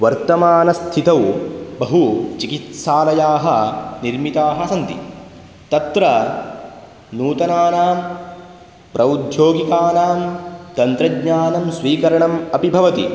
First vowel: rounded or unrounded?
unrounded